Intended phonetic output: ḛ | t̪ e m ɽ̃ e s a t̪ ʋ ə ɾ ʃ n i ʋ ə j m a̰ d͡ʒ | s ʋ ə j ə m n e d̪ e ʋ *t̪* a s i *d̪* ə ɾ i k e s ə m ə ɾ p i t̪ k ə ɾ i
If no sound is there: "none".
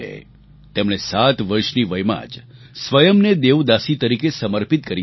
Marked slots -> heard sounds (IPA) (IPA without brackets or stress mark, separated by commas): d̪, t̪